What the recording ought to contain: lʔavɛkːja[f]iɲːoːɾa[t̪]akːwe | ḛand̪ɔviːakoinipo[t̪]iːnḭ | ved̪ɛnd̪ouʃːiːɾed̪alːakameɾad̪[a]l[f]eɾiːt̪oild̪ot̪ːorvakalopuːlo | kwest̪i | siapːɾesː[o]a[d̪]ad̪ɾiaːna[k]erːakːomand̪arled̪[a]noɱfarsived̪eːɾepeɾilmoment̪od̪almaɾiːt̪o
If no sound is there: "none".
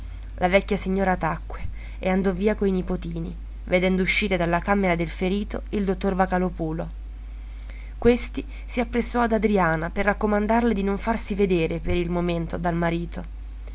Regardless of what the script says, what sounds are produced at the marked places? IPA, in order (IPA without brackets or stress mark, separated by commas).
s, t̪, t̪, e, f, ɔ, d̪, p, i